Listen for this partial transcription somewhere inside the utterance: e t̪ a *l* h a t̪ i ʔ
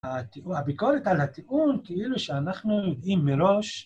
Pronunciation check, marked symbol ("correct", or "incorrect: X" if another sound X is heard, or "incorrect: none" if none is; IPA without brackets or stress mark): correct